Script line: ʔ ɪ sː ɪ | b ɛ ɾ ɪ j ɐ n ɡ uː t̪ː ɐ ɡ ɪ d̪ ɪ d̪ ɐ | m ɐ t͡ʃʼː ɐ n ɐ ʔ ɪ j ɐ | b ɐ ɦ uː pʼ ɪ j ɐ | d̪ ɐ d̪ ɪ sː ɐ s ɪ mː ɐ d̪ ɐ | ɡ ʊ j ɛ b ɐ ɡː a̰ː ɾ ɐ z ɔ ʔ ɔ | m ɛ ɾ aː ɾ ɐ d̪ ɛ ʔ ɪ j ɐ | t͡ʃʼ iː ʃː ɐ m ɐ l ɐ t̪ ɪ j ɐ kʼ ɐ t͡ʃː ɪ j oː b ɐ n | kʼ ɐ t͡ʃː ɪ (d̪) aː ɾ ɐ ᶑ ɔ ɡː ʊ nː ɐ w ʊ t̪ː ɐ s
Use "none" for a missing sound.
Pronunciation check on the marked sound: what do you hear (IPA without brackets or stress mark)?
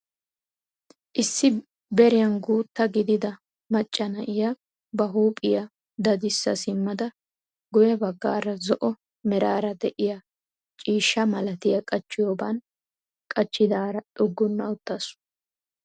d̪